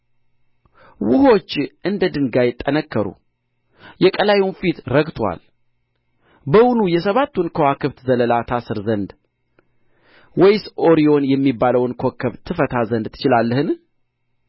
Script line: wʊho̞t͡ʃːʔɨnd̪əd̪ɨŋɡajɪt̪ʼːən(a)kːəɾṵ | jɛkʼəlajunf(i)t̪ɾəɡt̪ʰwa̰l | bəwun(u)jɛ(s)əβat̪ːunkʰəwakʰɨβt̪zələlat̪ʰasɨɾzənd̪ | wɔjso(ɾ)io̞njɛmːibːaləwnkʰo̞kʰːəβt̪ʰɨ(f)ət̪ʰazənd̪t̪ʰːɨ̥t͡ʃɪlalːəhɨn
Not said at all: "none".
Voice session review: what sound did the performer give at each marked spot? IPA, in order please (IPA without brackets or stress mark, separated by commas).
ə, i, u, s, ɾ, f